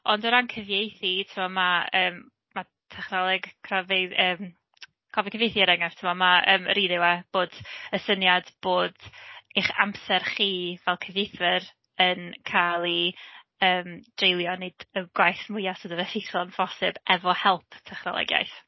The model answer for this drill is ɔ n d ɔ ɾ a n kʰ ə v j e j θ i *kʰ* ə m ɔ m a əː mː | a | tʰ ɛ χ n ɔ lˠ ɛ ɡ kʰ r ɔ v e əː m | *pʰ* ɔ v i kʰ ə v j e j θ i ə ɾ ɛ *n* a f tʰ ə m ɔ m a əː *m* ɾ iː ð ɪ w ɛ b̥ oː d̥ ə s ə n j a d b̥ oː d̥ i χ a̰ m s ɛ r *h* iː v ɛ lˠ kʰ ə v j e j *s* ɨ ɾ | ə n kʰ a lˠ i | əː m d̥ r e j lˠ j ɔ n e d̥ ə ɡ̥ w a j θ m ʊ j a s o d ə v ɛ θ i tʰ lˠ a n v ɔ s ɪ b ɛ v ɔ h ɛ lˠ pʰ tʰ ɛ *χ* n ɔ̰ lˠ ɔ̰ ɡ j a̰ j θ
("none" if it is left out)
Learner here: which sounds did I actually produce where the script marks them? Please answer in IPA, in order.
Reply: tʰ, kʰ, ŋ, m, χ, θ, χ

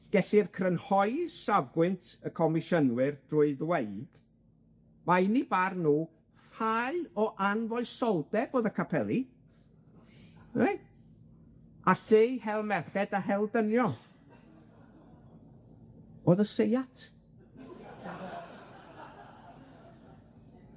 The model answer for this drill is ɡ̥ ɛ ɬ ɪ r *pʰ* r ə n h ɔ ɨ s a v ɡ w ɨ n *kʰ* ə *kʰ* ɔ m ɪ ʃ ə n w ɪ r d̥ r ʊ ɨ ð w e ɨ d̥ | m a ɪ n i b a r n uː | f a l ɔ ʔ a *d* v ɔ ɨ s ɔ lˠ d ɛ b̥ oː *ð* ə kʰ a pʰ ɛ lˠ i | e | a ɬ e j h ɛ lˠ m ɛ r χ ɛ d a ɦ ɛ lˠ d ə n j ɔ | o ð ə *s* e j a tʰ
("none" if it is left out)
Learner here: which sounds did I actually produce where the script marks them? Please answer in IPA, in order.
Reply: kʰ, tʰ, kʰ, n, ð, s

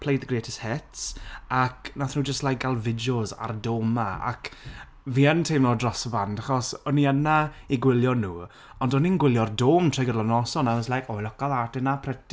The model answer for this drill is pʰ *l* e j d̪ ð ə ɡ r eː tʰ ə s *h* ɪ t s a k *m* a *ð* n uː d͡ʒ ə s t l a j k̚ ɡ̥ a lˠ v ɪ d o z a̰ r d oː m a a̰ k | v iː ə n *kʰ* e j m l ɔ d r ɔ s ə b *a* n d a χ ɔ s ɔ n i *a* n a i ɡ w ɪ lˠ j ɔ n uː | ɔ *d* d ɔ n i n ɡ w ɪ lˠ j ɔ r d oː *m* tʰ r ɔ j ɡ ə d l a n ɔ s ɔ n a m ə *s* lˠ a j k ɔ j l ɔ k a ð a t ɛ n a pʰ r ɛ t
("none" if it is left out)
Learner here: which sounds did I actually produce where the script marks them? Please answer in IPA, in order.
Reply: l, h, n, θ, tʰ, a, ə, n, m, s

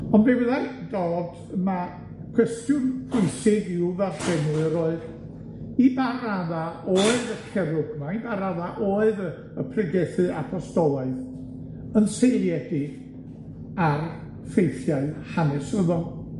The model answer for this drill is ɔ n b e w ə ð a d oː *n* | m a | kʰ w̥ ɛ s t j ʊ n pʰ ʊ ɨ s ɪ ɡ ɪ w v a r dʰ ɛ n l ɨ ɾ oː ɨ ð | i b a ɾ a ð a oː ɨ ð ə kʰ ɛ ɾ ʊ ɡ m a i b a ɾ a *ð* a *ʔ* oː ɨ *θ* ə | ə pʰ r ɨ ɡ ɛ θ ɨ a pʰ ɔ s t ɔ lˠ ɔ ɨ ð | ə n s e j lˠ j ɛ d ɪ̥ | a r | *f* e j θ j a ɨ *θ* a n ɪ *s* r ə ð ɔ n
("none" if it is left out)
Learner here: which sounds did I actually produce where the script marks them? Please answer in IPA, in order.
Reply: d, ð, ʔ, ð, f, h, s

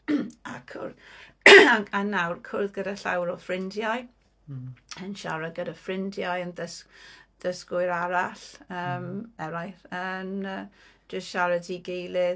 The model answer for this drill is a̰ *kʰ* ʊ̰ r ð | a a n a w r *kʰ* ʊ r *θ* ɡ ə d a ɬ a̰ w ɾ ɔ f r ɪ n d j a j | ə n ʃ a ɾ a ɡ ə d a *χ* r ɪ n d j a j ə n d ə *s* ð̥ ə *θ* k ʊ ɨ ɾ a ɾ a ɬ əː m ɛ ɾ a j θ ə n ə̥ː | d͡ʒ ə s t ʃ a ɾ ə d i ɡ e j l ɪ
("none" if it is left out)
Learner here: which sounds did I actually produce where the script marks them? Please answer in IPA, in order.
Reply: kʰ, kʰ, ð, f, s, s

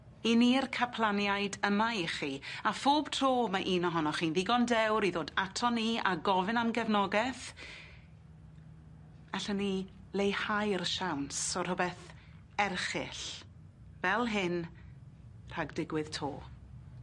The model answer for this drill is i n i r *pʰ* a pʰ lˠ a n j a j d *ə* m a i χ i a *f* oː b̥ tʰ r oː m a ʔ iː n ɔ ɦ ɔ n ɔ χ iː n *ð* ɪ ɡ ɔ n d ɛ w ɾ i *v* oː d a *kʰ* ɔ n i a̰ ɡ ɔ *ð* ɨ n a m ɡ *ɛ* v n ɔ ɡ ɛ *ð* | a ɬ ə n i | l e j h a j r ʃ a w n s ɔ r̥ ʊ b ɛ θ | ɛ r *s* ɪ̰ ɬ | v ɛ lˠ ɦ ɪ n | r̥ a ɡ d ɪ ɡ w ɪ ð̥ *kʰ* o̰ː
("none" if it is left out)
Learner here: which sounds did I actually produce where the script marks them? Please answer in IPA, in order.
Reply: kʰ, ə, f, ð, ð, tʰ, v, ɛ, θ, χ, tʰ

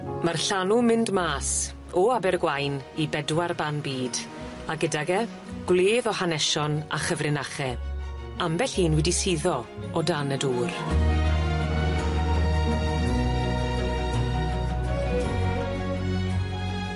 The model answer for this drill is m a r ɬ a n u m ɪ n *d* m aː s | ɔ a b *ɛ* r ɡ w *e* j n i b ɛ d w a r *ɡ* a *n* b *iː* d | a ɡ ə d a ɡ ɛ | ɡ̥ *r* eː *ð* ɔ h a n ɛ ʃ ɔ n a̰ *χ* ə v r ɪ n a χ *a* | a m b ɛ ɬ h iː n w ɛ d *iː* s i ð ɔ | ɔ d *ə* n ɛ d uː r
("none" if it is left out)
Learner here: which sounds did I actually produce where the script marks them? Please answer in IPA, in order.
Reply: d, ɛ, a, b, n, iː, l, ð, χ, ɛ, i, a

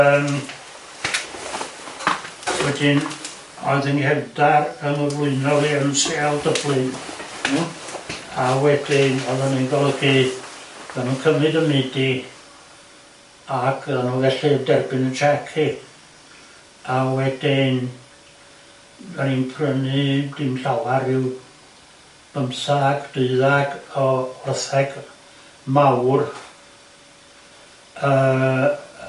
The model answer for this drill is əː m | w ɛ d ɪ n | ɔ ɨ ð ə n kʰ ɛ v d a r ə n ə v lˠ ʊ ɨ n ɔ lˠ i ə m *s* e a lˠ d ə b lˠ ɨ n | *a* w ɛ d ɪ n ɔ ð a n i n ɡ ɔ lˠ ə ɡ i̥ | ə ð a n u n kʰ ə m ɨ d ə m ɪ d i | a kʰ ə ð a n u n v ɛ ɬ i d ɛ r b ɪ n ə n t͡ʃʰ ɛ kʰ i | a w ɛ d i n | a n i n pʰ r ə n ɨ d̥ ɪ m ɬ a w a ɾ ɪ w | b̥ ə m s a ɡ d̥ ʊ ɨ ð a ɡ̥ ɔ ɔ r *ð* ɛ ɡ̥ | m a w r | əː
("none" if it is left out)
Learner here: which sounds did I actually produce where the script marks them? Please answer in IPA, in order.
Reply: s, a, θ

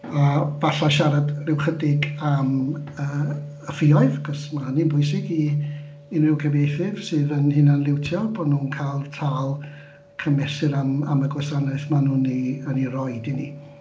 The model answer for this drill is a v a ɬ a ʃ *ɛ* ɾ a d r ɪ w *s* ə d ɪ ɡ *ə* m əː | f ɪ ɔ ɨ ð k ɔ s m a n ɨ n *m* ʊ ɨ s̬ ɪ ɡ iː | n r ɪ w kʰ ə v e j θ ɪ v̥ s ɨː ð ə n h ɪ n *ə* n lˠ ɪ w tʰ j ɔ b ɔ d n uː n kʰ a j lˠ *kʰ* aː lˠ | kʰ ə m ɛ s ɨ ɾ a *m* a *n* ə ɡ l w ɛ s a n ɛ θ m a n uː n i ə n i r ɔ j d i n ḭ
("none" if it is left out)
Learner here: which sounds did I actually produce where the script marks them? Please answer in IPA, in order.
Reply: a, χ, a, b, a, tʰ, m, m

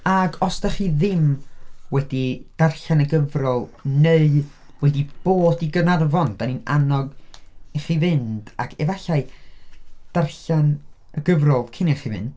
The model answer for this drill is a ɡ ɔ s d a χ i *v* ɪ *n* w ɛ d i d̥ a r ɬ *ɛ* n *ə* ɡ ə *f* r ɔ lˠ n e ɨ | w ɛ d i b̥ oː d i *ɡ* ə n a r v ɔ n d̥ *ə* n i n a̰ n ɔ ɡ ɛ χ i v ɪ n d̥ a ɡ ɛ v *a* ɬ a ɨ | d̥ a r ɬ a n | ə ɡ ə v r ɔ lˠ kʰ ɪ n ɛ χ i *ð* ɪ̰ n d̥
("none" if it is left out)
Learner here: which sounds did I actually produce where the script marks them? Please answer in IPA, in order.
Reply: ð, m, a, ə, v, ɡ, a, a, v

